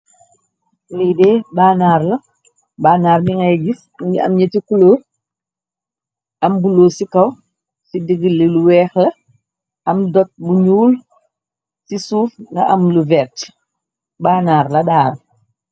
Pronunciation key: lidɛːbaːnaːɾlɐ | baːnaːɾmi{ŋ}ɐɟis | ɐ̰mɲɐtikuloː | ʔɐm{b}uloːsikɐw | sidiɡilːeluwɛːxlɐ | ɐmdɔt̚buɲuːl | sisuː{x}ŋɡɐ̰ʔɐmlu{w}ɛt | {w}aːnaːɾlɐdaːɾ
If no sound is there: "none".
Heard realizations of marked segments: ŋ, b, f, v, b

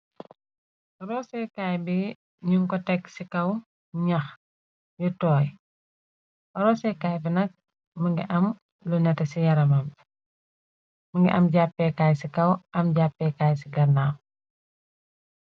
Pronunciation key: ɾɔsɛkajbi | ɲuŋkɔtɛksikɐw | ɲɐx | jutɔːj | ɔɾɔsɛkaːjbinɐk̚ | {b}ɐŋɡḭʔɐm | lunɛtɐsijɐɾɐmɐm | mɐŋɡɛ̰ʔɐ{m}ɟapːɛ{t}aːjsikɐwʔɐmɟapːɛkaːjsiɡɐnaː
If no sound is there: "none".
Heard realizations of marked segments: m, m, k

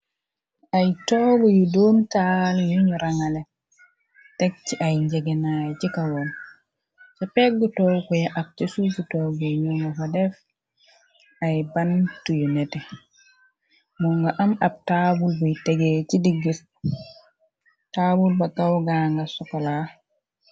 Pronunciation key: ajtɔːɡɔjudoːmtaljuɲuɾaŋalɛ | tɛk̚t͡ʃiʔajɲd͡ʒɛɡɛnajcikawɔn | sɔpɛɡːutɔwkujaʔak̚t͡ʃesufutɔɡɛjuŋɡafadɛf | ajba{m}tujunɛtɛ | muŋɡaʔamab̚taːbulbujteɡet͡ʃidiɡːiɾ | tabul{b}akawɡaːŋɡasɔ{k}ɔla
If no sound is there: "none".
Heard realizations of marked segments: n, b, k

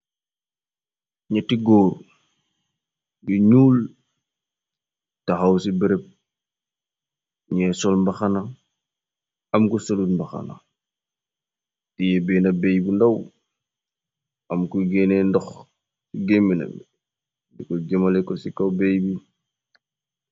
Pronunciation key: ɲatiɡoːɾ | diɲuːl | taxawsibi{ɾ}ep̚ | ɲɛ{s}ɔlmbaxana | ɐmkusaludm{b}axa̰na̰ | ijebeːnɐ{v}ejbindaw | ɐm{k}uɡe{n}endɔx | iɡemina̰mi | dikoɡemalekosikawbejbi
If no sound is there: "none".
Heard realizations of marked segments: ɾ, s, b, b, k, n

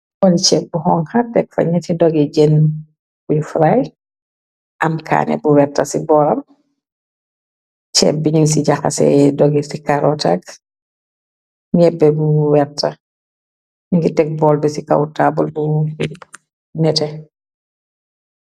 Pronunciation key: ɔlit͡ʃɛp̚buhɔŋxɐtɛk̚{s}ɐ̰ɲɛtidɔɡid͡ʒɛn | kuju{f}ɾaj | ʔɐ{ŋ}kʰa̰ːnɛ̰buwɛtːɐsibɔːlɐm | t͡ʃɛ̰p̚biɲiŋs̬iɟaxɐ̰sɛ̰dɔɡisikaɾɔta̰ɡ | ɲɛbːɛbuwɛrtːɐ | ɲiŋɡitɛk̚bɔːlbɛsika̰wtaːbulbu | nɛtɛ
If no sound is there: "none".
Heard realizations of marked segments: f, f, m

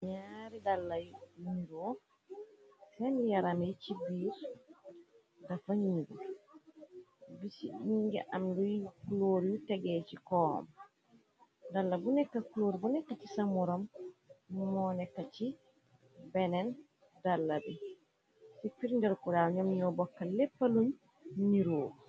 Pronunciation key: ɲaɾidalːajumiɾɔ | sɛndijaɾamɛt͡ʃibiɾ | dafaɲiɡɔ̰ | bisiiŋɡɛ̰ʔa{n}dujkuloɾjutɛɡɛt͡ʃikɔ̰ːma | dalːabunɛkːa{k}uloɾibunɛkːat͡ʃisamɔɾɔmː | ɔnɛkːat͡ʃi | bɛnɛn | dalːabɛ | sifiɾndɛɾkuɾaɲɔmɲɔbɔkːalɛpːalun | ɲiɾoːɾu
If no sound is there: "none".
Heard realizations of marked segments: m, k

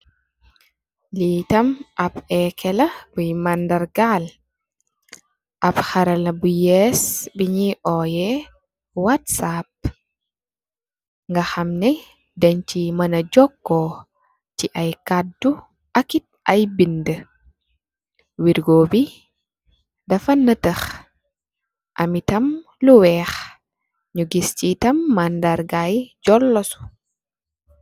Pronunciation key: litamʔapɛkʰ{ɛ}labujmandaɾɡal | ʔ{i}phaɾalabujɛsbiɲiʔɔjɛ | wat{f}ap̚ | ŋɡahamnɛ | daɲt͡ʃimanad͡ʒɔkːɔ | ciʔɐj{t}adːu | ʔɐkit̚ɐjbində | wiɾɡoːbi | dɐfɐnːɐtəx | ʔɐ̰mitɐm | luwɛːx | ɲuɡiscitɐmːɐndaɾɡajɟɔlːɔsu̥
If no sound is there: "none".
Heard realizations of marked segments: ɛ, a, s, k

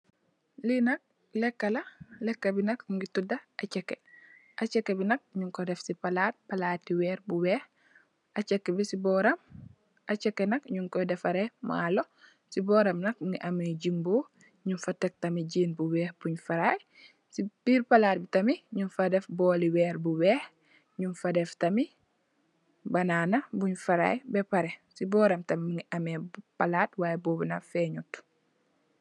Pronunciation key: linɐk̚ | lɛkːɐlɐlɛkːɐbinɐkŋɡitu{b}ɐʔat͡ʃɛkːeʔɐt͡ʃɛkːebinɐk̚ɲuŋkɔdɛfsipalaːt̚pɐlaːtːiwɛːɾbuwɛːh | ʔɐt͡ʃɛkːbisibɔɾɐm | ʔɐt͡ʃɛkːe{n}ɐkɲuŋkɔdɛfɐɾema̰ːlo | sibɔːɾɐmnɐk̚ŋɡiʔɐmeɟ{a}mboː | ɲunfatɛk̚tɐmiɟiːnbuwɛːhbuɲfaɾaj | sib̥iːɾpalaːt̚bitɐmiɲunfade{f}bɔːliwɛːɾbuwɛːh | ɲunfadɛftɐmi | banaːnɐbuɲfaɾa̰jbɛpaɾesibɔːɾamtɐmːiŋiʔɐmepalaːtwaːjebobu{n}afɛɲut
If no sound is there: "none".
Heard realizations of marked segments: d, n, i, f, n

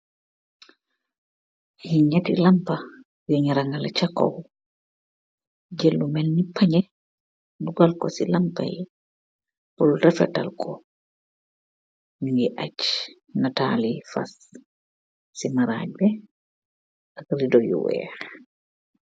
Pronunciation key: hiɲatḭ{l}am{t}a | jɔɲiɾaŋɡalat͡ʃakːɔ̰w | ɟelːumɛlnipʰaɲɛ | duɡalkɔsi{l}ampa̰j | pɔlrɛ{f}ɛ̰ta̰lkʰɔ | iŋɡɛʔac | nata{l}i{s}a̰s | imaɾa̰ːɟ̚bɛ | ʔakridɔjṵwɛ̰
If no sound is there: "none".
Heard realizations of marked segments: l, p, l, f, l, f

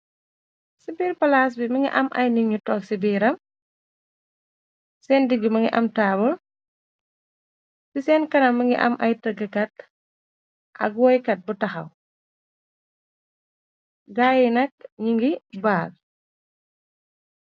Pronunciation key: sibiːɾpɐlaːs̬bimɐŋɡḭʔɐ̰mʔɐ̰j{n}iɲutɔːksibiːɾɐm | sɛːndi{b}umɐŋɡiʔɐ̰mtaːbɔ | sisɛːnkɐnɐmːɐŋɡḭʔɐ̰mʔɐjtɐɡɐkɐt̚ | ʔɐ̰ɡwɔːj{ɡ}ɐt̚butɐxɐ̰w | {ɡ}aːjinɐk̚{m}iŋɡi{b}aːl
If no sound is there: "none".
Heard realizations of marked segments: n, ɡ, k, ɡ, ɲ, b

